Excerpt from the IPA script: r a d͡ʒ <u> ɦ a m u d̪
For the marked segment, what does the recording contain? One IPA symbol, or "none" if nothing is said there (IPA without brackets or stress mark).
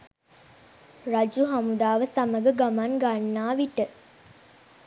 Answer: u